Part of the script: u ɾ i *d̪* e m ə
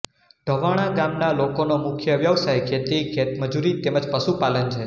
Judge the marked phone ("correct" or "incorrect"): incorrect